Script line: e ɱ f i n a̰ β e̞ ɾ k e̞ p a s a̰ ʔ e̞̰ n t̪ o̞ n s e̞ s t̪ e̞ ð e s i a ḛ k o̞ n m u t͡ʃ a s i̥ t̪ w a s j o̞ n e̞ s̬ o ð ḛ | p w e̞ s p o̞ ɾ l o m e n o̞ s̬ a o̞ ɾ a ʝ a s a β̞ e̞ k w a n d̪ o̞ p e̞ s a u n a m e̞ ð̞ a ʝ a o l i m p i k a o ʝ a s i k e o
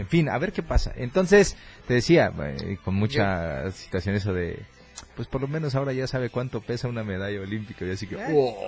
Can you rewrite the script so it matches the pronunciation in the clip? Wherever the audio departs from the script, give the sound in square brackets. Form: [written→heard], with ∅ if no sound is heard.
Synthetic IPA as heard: e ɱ f i n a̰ β e̞ ɾ k e̞ p a s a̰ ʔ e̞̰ n t̪ o̞ n s e̞ s t̪ e̞ ð e s i a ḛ k o̞ n m u t͡ʃ a s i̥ t̪ w a s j o̞ n e̞ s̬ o ð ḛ | p w e̞ s p o̞ ɾ l o m e n o̞ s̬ a o̞ ɾ a ʝ a s a β̞ e̞ k w a n [d̪→t̪] o̞ p e̞ s a u n a m e̞ ð̞ a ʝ a o l i m p i k a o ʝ a s i k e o